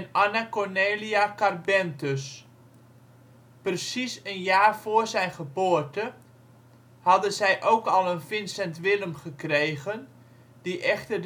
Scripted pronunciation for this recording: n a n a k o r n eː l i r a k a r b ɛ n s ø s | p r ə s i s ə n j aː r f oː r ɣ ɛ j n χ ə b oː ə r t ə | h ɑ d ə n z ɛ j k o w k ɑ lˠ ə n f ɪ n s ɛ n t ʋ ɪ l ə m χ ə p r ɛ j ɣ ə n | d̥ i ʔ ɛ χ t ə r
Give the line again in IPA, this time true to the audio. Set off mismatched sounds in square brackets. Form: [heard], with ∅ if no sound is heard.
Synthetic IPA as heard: n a n a k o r n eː l i [∅] a k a r b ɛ n [t] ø s | p r ə s i s ə n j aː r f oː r [z] ɛ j n χ ə b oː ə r t ə | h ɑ d ə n z ɛ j [ʔ] o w k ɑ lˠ ə n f ɪ n s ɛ n t ʋ ɪ l ə m χ ə [k] r [e] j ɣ ə n | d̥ i ʔ ɛ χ t ə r